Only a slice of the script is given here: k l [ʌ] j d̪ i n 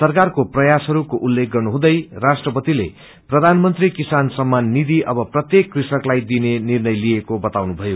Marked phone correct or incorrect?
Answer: incorrect: a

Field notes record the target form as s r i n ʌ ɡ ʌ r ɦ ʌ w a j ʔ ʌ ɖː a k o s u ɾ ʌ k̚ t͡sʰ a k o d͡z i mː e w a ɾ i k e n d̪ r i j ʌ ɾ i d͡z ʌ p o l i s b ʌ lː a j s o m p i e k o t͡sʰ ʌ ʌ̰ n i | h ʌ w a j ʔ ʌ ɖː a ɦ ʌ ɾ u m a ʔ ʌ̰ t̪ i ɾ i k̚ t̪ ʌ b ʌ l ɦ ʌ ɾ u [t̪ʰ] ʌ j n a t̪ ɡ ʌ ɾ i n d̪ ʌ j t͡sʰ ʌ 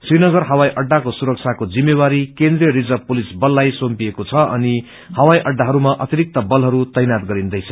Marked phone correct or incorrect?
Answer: incorrect: t̪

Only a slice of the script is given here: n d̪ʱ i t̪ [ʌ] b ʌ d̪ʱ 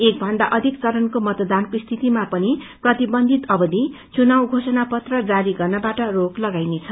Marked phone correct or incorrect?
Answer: correct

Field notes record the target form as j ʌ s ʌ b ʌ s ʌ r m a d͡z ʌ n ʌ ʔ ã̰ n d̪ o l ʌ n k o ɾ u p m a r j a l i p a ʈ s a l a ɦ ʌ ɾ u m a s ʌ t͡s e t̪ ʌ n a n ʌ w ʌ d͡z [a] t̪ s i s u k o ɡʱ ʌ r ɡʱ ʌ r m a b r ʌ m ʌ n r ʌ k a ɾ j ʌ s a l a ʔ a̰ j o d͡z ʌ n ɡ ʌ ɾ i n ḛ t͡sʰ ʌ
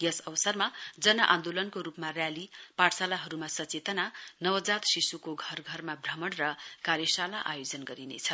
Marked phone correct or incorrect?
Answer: correct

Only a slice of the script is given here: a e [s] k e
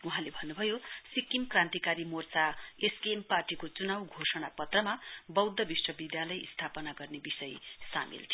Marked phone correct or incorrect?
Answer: correct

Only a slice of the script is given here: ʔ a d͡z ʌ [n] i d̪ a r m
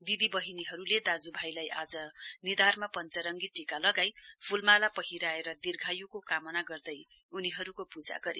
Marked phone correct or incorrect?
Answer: correct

